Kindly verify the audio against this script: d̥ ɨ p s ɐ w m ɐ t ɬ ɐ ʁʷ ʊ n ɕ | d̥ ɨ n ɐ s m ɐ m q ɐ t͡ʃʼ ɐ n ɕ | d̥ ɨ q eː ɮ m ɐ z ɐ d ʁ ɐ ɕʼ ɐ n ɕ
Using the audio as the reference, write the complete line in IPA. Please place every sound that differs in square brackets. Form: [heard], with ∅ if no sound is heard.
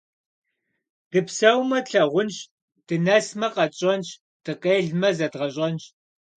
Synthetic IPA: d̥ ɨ p s ɐ w m ɐ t ɬ ɐ ʁʷ ʊ n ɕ | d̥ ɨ n ɐ s m ɐ [∅] q ɐ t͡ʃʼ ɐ n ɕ | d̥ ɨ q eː ɮ m ɐ z ɐ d ʁ ɐ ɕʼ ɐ n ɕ